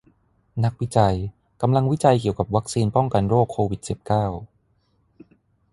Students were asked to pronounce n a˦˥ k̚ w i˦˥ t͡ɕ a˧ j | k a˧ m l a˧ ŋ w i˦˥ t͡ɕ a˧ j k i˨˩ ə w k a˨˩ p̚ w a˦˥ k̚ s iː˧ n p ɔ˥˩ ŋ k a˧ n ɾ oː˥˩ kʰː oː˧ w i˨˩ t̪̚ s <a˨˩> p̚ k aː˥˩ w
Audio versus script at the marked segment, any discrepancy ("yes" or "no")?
yes